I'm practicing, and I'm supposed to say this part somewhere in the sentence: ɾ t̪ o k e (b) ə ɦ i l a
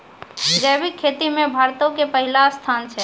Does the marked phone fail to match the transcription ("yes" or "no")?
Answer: yes